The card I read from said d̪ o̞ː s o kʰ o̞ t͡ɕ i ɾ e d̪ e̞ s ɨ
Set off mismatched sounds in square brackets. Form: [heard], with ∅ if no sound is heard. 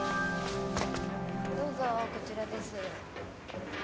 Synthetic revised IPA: d̪ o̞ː [z] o [k] o̞ t͡ɕ i ɾ [a] d̪ e̞ s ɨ